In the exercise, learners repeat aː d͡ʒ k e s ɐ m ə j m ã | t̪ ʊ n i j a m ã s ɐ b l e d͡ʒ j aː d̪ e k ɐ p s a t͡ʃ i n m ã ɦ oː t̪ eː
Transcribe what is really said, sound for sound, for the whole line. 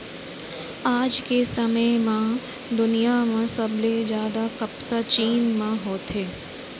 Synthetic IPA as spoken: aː d͡ʒ k e s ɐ m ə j m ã | d̪ ʊ n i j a m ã s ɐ b l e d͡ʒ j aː d̪ a k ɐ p s a t͡ʃ iː n m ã ɦ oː t̪ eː